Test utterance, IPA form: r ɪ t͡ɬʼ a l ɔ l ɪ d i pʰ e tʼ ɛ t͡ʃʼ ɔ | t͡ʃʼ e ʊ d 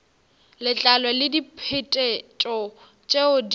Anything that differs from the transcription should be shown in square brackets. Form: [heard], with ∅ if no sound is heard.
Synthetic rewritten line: [l] ɪ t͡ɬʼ a l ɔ l ɪ d i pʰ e tʼ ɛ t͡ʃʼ ɔ | t͡ʃʼ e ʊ d

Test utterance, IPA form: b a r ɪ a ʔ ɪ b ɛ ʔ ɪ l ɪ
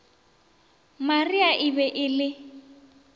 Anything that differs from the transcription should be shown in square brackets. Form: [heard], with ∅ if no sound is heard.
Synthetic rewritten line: [m] a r [i] a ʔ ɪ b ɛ ʔ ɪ l ɪ

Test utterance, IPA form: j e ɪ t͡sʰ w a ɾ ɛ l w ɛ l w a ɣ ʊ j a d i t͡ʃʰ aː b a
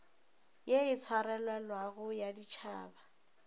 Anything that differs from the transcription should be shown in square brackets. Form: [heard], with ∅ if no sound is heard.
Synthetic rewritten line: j e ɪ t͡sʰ w a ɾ ɛ l w ɛ l w a ɣ ʊ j a d i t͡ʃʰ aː b a

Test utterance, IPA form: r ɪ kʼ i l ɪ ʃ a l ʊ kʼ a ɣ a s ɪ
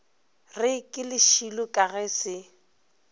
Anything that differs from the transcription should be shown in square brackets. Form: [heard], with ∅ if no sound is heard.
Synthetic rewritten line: r ɪ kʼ [ɪ] l ɪ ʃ [i] l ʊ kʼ a ɣ [ɛ] s ɪ

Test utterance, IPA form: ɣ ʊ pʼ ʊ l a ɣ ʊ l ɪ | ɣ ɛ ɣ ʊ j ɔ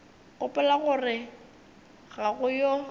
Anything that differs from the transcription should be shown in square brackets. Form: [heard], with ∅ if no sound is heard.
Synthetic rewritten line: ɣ ʊ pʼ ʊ l a ɣ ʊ [r] ɪ | ɣ [a] ɣ ʊ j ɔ

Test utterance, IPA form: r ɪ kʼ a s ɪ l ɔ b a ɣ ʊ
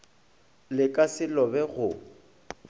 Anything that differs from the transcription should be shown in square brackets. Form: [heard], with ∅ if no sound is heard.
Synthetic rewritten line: [l] ɪ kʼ a s ɪ l ɔ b [ɛ] ɣ ʊ

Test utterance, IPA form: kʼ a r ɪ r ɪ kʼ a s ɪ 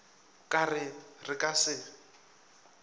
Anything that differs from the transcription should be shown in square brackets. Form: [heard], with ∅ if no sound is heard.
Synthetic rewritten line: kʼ a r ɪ r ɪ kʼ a s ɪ

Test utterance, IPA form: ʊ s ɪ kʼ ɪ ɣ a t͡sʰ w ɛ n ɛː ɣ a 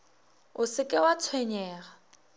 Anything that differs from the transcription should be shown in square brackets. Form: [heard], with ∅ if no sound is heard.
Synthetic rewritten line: ʊ s ɪ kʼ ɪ [w] a t͡sʰ w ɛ [ɲ] ɛː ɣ a

